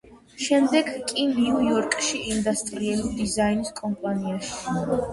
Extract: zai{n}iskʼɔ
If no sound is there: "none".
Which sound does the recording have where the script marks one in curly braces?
n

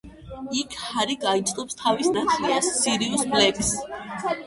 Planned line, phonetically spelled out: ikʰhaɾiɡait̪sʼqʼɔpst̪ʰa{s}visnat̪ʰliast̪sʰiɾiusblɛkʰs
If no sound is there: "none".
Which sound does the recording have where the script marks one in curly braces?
none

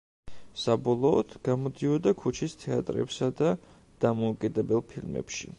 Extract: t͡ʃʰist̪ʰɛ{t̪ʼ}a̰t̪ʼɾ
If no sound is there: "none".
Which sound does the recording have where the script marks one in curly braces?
none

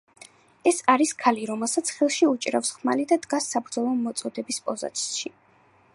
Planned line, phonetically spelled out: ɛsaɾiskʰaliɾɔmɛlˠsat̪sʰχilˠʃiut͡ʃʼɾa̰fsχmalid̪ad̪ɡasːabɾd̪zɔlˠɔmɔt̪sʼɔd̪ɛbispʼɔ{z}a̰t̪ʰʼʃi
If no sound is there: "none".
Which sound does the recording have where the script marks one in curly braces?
z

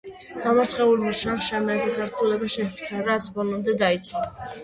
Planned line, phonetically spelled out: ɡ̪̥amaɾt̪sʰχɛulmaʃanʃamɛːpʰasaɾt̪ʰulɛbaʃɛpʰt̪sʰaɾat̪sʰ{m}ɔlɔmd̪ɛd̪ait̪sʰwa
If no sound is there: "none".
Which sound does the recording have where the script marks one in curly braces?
b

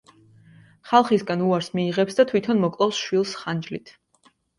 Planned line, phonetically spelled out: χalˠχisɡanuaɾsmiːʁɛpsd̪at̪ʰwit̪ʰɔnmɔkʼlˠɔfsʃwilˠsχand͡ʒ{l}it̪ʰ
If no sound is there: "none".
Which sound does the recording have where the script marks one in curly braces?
l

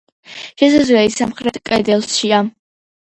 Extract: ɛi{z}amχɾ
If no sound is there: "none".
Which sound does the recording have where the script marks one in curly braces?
s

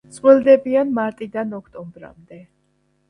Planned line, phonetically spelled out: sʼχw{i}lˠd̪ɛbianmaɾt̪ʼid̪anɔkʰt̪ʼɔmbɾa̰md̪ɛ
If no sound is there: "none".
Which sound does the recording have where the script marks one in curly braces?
ɛ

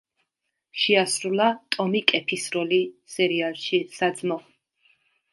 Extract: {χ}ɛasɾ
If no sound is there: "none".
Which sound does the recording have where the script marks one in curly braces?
ʃ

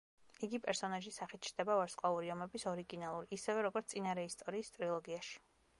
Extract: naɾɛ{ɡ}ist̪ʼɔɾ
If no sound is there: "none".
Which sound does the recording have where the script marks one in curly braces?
none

